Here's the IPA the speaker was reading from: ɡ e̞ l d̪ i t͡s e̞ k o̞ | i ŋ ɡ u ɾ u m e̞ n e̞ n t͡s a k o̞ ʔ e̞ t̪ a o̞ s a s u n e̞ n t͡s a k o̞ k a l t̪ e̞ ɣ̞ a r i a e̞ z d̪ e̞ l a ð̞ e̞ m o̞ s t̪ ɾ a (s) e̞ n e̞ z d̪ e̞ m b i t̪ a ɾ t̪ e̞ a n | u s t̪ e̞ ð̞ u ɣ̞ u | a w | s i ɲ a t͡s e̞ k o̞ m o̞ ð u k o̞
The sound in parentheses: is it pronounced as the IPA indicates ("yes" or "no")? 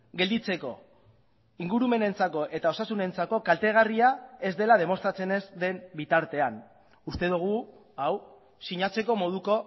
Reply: no